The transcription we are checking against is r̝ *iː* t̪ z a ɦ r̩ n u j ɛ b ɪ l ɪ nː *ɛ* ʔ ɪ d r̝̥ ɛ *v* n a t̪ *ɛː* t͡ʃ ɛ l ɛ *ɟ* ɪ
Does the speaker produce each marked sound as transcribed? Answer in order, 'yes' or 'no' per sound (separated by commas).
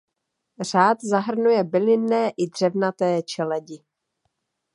no, no, yes, yes, yes